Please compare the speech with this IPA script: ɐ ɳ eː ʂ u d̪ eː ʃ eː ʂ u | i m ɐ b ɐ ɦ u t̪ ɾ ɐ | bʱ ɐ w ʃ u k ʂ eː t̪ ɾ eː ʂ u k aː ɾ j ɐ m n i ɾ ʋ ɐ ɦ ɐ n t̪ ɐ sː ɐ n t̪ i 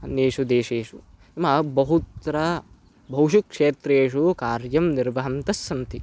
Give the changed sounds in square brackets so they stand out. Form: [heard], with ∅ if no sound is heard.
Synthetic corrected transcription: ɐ [n] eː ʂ u d̪ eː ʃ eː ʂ u | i m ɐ b ɐ ɦ u t̪ ɾ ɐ | bʱ ɐ w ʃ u k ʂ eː t̪ ɾ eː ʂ u k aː ɾ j ɐ m n i ɾ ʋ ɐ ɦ ɐ n t̪ ɐ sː ɐ n t̪ i

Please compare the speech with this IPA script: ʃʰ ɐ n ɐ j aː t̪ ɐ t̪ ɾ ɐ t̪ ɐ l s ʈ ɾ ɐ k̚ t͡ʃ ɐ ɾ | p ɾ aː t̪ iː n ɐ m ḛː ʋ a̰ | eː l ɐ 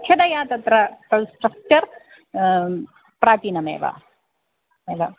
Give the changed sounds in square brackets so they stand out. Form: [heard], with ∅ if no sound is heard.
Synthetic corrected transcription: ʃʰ ɐ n ɐ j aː t̪ ɐ t̪ ɾ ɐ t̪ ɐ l s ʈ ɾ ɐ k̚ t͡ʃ ɐ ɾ | p ɾ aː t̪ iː n ɐ m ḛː ʋ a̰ | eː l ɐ

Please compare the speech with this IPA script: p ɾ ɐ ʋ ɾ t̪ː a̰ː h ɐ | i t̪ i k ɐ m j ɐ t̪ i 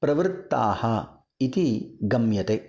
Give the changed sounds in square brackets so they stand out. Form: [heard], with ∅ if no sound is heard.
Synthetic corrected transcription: p ɾ ɐ ʋ ɾ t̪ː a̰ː h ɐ | i t̪ i [ɡ] ɐ m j ɐ t̪ [e]

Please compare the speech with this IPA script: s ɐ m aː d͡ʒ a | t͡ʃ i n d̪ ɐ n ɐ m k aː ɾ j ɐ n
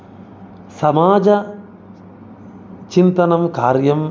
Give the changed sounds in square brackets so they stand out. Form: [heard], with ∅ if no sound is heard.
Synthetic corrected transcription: s ɐ m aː d͡ʒ [ɐ] | t͡ʃ i n [t̪] ɐ n ɐ m k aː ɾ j ɐ [m]

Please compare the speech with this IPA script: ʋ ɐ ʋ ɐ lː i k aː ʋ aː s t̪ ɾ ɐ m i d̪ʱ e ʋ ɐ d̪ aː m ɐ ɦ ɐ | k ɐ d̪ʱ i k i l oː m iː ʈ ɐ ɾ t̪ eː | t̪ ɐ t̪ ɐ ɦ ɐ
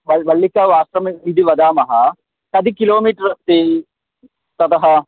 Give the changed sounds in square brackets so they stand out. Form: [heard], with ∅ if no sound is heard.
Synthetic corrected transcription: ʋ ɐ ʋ ɐ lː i k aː ʋ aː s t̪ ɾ ɐ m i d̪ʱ [i] ʋ ɐ d̪ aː m ɐ ɦ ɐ | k ɐ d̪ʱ i k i l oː m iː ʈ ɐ ɾ t̪ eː | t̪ ɐ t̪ ɐ ɦ ɐ

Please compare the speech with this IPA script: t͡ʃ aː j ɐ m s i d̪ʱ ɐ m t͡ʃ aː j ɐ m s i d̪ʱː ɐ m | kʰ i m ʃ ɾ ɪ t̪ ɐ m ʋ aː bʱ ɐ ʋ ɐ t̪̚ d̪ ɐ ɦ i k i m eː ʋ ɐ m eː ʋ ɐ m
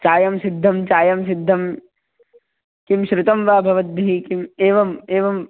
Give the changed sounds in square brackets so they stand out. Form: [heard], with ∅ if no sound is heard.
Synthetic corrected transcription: t͡ʃ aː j ɐ m s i [d̪ʱː] ɐ m t͡ʃ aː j ɐ m s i d̪ʱː ɐ m | [k] i m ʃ ɾ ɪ t̪ ɐ m ʋ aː bʱ ɐ ʋ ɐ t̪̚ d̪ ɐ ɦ i k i m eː ʋ ɐ m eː ʋ ɐ m

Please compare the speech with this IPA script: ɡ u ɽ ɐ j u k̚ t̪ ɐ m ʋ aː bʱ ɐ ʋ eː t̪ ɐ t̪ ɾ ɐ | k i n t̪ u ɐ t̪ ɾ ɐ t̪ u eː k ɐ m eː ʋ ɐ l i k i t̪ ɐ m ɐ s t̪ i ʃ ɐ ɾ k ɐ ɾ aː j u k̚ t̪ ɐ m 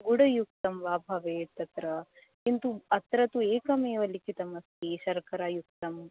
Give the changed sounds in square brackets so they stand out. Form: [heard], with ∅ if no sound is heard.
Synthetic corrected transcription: ɡ u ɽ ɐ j u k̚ t̪ ɐ m ʋ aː bʱ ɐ ʋ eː t̪ ɐ t̪ ɾ ɐ | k i n t̪ u ɐ t̪ ɾ ɐ t̪ u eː k ɐ m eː ʋ ɐ l i k i t̪ ɐ m ɐ s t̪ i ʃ ɐ ɾ k ɐ ɾ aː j u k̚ t̪ ɐ m

